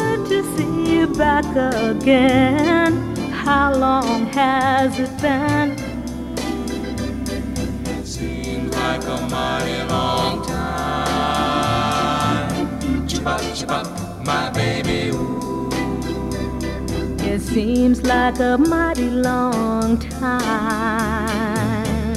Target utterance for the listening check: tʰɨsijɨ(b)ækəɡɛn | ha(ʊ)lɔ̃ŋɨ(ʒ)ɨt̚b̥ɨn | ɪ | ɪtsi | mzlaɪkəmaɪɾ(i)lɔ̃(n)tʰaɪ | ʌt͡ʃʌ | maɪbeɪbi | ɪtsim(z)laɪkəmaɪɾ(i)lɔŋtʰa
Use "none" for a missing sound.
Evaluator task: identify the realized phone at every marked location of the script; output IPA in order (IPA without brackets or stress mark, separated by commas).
b, ʊ, z, i, ŋ, z, i